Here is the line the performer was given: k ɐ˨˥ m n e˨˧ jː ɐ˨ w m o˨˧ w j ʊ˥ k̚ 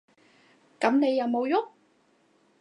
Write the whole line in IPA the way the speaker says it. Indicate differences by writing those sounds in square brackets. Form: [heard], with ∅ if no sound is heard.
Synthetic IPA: k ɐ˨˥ m n e˨˧ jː ɐ˨ w m o˨˧ w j ʊ˥ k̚